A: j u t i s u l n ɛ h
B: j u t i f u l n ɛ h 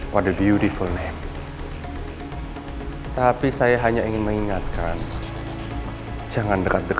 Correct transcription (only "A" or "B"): B